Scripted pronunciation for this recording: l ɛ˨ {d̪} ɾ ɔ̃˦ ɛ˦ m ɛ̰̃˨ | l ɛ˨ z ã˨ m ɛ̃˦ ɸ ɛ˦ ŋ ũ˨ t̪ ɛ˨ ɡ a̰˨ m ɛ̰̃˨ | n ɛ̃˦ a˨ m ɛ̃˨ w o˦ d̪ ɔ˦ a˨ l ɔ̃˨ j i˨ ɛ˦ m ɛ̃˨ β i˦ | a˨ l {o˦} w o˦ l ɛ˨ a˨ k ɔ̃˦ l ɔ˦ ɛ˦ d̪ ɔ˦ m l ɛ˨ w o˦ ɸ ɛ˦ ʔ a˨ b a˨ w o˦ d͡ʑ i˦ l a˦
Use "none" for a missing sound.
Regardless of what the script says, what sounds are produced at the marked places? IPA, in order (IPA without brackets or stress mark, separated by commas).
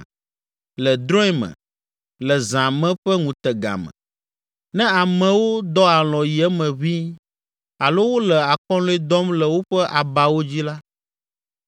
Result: d̪, o˦